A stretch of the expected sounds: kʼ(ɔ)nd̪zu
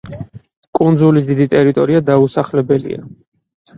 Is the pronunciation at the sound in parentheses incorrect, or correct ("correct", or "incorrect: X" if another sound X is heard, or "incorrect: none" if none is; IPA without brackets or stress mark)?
incorrect: u